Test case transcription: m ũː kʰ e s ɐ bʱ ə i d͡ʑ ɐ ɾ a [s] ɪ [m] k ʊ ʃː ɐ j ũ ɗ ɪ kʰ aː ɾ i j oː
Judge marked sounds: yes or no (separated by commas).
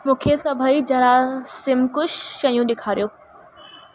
yes, yes